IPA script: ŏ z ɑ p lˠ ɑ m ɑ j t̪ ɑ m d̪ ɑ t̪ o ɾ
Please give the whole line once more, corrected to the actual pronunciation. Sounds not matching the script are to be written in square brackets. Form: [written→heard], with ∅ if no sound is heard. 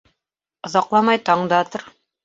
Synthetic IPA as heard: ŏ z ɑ [p→q] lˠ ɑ m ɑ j t̪ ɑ [m→ɴ] d̪ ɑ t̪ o ɾ